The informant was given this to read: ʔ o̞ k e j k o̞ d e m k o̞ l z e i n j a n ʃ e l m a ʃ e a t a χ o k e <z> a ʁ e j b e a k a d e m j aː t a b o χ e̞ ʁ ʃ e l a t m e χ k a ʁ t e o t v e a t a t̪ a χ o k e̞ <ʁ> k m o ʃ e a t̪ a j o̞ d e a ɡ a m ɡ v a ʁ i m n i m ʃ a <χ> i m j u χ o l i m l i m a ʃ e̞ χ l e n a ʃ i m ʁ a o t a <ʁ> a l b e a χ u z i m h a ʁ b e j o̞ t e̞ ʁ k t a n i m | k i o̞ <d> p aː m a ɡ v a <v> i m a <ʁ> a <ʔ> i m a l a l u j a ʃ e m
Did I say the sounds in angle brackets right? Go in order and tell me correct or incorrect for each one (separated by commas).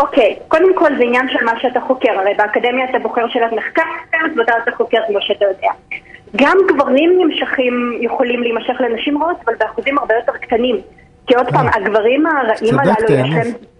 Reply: incorrect, correct, correct, incorrect, correct, incorrect, correct, correct